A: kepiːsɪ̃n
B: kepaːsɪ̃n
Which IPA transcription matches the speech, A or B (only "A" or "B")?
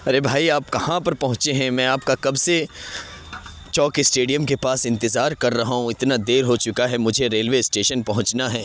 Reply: B